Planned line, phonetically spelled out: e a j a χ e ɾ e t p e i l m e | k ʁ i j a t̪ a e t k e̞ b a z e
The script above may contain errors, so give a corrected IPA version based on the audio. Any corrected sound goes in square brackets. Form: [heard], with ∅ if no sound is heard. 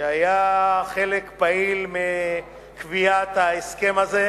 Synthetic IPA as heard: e a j a χ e [l] e [k] p [a] i l m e | k [v] i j a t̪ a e [s] k e̞ [m] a z e